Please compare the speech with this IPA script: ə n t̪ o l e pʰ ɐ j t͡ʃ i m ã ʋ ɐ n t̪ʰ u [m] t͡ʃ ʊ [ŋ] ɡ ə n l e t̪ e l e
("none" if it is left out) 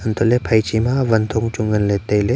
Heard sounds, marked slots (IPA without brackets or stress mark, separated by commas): ŋ, ŋ